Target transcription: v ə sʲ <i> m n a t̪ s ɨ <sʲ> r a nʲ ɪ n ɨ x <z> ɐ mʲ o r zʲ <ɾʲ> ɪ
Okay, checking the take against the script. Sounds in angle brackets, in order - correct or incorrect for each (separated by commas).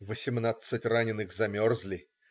incorrect, incorrect, correct, incorrect